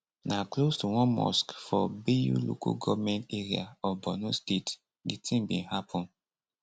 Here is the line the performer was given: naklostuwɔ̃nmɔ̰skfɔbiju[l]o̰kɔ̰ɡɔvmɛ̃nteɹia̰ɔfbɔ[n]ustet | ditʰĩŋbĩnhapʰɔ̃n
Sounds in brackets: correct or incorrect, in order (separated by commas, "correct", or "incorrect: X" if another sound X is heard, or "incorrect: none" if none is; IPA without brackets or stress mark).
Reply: correct, correct